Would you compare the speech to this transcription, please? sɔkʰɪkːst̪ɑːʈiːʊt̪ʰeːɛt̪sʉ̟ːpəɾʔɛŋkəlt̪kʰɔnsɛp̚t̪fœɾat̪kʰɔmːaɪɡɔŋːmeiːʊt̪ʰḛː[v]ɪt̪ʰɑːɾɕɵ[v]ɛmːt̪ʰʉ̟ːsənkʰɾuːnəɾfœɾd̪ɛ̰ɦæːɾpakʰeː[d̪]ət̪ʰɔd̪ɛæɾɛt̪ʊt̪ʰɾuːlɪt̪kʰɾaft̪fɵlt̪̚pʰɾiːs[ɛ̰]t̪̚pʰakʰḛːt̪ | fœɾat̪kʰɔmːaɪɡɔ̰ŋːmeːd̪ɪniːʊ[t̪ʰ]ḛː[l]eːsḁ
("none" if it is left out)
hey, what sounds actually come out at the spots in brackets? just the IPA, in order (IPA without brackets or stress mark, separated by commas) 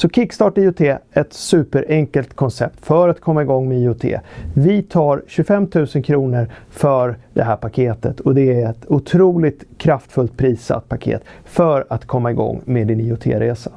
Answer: v, f, t̪, a̰, t̪ʰ, ɾ